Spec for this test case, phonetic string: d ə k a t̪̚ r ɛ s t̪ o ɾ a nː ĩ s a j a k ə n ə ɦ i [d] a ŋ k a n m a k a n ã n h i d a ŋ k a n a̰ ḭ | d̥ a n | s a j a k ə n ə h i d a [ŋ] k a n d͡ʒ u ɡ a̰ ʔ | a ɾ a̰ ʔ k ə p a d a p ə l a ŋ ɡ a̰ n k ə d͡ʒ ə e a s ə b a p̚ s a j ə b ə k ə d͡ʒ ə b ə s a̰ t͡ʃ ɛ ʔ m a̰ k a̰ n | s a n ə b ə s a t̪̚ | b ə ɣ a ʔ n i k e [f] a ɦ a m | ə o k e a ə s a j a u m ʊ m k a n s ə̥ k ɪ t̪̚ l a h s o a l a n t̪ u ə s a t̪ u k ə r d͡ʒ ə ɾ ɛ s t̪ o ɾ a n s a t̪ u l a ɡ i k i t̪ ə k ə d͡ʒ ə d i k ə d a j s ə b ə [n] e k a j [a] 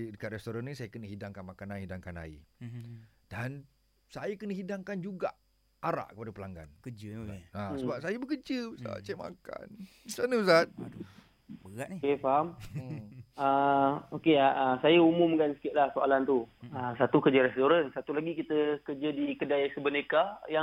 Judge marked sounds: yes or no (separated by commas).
yes, yes, yes, yes, yes